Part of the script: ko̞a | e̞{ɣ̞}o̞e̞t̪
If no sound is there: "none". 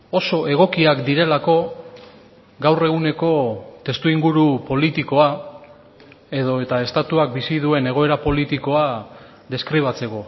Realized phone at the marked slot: ð̞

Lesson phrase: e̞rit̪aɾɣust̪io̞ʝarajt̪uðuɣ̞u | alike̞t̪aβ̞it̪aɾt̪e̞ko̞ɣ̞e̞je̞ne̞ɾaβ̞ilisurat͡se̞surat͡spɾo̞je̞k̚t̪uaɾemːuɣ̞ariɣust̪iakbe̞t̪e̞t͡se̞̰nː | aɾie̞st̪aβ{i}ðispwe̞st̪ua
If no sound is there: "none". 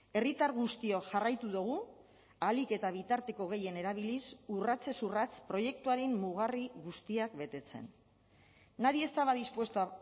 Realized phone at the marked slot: a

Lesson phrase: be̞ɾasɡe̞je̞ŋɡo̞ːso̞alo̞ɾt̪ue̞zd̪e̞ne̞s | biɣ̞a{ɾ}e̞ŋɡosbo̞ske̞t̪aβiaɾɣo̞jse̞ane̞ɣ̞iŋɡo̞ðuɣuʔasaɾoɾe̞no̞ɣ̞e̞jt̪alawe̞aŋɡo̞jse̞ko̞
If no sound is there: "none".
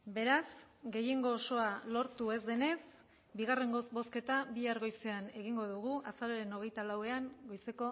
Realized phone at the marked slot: r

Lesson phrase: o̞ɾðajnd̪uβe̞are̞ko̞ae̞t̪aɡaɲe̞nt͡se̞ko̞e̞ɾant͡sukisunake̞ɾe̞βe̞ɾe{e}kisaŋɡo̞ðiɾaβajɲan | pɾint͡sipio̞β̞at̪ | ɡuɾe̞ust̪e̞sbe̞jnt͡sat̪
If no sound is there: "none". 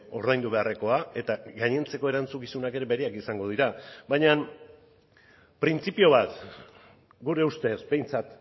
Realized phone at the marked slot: a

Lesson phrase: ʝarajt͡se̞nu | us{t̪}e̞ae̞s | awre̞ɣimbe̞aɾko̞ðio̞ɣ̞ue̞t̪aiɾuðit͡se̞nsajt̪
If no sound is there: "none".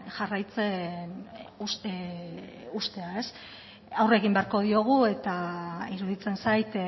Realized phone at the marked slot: t̪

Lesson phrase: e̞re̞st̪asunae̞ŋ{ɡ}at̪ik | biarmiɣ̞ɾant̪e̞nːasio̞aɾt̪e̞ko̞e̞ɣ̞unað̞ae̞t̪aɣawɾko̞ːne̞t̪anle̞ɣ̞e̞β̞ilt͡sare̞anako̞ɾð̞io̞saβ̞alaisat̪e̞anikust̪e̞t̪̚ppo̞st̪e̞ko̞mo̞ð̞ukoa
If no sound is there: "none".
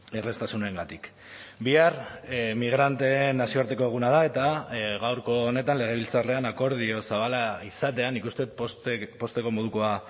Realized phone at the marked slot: ɡ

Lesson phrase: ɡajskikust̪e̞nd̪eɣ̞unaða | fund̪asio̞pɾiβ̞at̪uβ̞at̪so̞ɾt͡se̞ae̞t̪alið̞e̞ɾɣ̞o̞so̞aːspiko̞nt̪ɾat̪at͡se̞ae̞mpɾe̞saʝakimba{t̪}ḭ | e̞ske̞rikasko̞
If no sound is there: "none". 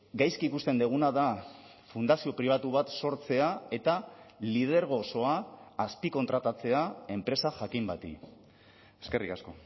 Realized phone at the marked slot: t̪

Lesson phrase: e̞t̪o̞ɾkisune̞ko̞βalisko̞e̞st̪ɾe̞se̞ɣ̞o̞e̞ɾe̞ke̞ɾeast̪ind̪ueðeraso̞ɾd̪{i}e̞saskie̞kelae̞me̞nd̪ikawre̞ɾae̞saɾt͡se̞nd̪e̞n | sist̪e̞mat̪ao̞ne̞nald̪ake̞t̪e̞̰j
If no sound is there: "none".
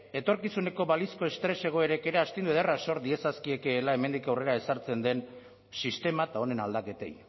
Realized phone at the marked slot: i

